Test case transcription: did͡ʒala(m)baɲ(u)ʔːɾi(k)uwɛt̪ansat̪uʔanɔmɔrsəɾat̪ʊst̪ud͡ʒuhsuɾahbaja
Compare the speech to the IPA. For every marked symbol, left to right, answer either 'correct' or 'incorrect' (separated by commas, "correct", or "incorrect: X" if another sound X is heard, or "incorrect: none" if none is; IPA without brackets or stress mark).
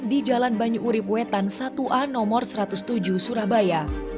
incorrect: n, correct, incorrect: p